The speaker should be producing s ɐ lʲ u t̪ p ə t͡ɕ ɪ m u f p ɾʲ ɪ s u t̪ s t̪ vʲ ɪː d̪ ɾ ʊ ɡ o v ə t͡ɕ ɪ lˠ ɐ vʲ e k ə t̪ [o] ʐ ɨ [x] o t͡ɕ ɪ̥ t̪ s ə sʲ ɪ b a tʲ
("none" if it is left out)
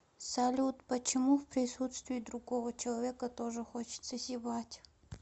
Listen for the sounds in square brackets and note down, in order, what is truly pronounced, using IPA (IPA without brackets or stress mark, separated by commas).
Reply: o, x